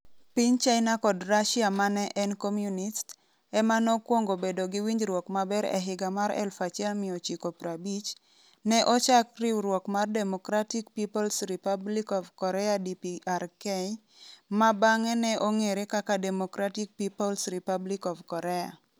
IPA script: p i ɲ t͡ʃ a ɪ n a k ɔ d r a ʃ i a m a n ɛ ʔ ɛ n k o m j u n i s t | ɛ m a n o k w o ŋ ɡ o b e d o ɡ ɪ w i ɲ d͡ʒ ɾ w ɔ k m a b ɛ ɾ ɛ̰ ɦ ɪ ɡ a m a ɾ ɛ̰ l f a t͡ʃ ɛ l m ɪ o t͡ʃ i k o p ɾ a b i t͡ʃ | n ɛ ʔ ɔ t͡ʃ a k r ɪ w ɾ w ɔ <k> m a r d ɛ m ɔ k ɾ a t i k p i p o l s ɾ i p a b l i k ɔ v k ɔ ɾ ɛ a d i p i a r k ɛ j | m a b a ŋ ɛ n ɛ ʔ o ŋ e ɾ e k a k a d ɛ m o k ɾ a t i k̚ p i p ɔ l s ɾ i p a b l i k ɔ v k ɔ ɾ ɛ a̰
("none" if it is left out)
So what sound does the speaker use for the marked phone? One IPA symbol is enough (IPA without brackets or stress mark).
k